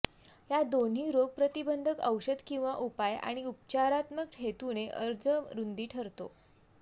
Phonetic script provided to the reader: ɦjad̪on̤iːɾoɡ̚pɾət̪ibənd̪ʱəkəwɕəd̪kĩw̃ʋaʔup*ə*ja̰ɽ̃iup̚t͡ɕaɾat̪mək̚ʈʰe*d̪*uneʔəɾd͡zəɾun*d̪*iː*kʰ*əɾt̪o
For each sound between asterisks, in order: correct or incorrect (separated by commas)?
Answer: incorrect, incorrect, correct, incorrect